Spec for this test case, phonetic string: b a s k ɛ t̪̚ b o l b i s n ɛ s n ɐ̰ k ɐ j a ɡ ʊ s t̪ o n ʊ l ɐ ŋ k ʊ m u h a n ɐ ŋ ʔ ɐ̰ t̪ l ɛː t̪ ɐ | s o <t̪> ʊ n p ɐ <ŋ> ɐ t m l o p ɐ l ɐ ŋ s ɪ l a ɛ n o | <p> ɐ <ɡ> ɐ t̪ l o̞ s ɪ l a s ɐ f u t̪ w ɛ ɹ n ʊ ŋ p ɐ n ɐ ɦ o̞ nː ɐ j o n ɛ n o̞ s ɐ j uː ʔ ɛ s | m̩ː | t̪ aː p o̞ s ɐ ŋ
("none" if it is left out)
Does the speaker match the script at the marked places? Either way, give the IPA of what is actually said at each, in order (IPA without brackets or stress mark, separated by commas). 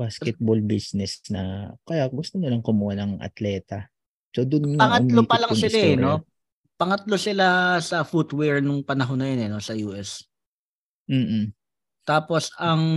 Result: d̪, ŋ, p, ŋ